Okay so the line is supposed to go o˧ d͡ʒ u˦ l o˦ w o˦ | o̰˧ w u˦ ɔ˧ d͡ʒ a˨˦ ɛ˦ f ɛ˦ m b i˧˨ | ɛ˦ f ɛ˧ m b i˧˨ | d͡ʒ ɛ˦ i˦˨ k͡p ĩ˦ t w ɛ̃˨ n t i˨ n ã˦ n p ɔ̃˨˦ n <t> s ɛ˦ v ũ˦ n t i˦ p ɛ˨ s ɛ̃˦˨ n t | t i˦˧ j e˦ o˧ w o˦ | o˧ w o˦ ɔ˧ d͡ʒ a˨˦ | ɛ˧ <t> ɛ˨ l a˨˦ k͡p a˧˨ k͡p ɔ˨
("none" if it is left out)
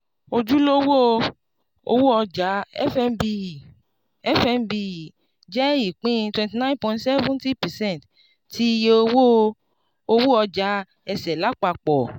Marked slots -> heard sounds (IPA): t, s

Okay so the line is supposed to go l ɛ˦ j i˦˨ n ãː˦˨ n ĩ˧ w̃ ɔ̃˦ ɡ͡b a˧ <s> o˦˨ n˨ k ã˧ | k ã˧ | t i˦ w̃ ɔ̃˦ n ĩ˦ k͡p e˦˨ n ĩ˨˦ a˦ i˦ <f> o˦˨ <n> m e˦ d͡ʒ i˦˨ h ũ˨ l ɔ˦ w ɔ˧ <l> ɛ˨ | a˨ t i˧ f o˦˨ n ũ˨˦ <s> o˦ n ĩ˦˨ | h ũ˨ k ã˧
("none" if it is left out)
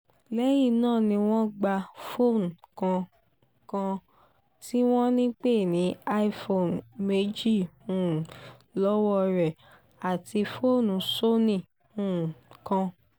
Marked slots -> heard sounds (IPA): f, f, n, ɾ, s

